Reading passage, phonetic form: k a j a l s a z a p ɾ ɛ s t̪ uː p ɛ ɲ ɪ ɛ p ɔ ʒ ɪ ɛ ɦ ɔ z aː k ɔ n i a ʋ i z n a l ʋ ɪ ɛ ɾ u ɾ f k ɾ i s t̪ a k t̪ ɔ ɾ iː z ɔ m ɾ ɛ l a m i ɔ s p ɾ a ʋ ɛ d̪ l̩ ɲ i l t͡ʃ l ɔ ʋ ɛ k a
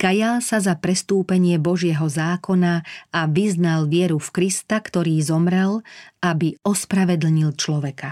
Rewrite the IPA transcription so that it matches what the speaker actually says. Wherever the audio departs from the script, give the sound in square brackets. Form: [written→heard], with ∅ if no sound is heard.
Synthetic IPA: k a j a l s a z a p ɾ ɛ s t̪ uː p ɛ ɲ ɪ ɛ [p→b] ɔ ʒ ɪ ɛ ɦ ɔ z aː k ɔ n [i→a] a ʋ i z n a l ʋ ɪ ɛ ɾ u [ɾ→∅] f k ɾ i s t̪ a k t̪ ɔ ɾ iː z ɔ m ɾ ɛ l a [m→b] i ɔ s p ɾ a ʋ ɛ d̪ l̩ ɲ i l t͡ʃ l ɔ ʋ ɛ k a